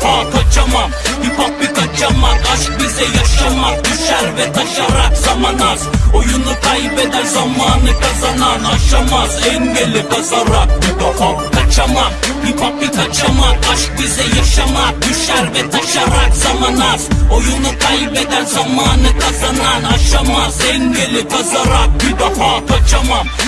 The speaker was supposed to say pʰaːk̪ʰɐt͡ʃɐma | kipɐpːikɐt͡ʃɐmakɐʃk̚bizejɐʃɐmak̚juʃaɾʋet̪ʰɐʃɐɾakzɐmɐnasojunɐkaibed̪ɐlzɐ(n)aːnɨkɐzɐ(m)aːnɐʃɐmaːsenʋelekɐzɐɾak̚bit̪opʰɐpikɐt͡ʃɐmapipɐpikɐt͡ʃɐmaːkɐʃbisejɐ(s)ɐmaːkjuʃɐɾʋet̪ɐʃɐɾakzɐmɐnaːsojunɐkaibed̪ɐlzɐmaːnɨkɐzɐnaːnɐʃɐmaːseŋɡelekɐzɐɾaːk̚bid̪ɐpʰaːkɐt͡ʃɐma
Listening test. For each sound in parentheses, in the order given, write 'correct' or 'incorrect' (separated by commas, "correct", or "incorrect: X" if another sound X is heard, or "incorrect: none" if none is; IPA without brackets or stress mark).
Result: incorrect: m, incorrect: n, incorrect: ʃ